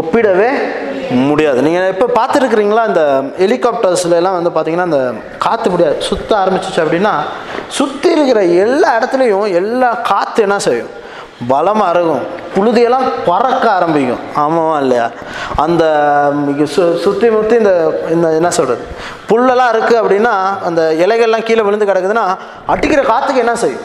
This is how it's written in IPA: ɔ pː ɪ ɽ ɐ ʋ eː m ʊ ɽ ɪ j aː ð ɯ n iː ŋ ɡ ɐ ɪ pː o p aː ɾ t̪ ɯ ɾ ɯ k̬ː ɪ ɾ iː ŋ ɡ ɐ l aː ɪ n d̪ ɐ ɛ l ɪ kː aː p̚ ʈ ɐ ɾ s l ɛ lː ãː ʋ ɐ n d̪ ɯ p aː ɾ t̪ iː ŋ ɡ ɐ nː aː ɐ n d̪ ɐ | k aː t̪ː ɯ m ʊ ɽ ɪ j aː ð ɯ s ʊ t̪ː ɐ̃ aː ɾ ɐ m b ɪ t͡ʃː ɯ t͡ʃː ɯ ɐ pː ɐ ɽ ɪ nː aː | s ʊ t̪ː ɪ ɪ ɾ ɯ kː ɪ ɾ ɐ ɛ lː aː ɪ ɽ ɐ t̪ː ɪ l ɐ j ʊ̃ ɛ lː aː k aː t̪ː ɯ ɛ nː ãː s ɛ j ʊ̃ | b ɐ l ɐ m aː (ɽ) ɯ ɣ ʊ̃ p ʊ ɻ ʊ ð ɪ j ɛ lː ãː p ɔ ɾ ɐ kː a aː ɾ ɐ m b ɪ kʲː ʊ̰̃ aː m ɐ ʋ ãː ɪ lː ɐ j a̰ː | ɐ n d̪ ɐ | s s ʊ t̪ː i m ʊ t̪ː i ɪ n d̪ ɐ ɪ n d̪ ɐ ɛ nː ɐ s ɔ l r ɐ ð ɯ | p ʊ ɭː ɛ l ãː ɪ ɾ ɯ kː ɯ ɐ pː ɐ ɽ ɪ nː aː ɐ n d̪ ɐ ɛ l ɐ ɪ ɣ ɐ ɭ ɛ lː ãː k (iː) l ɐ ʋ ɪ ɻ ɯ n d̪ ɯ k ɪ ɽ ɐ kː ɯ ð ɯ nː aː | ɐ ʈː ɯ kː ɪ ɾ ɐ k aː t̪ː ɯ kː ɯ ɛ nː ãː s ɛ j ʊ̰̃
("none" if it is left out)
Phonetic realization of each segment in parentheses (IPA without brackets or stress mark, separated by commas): ɾ, iː